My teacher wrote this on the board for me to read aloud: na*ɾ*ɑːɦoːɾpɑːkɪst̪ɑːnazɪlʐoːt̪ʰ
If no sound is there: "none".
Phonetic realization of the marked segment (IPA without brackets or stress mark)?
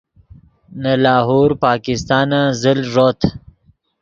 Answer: l